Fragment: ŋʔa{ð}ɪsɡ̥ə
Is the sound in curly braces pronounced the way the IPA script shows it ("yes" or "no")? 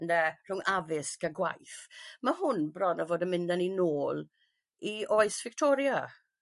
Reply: no